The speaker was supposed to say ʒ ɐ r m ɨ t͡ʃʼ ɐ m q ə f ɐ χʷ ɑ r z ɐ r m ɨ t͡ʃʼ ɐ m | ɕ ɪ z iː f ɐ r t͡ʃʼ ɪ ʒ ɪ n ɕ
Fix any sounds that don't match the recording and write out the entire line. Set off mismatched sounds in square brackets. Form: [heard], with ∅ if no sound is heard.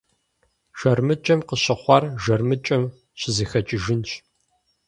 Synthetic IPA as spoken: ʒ ɐ r m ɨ t͡ʃʼ ɐ m q ə [ɕ] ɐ χʷ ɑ r [ʒ] ɐ r m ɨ t͡ʃʼ ɐ m | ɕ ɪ z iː [x] ɐ [∅] t͡ʃʼ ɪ ʒ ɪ n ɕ